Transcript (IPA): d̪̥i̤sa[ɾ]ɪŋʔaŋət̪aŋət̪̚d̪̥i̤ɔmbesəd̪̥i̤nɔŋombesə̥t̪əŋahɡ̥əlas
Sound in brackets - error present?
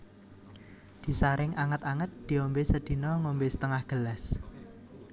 no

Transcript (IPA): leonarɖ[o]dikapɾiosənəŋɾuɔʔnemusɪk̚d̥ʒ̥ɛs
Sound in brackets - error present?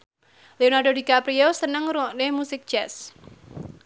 no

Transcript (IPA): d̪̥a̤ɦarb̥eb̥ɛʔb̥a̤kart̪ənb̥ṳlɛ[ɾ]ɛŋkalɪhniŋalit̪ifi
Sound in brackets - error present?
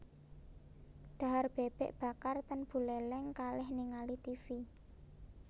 yes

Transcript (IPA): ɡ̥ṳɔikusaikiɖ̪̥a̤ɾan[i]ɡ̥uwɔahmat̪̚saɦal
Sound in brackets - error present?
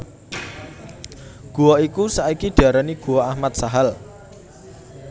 no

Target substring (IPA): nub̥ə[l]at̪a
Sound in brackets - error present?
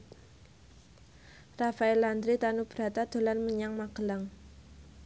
yes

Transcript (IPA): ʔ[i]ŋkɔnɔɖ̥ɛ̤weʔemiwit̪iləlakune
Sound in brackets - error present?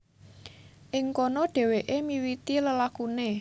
yes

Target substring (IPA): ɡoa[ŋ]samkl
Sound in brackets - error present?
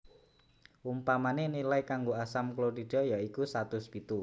yes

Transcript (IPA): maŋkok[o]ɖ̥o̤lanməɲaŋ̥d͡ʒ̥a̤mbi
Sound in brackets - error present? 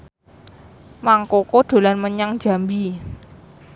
no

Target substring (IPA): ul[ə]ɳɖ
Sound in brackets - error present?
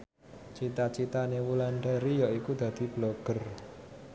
yes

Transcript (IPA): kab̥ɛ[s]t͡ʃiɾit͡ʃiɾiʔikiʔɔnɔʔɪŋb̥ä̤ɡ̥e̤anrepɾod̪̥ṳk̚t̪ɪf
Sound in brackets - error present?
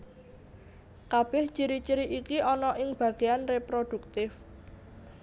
yes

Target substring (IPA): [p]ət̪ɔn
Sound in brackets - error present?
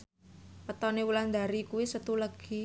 no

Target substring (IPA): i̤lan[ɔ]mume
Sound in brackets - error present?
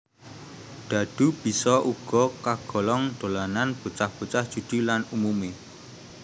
yes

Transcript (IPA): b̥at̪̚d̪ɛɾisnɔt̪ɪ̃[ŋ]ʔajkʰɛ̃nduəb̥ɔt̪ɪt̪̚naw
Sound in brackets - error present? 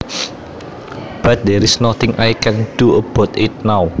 no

